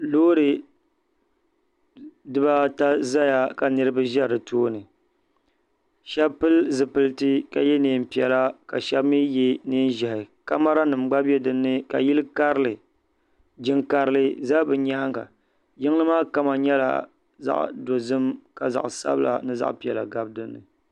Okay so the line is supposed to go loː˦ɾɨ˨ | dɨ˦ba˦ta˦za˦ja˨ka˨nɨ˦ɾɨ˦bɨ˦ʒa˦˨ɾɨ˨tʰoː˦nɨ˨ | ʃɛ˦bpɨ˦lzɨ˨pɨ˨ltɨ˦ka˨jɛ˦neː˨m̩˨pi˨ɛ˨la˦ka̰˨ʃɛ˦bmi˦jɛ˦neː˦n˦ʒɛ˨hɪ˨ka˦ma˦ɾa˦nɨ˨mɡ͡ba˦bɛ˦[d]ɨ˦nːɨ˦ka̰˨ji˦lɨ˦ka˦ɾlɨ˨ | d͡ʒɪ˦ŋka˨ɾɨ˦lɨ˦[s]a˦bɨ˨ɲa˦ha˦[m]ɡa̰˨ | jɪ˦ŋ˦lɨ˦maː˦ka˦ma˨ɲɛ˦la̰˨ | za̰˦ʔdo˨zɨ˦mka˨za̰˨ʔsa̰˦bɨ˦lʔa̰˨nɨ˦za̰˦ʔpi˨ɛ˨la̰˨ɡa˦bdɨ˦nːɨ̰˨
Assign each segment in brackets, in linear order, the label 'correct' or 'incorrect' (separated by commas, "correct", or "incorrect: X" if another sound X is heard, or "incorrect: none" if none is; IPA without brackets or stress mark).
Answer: correct, incorrect: z, incorrect: ŋ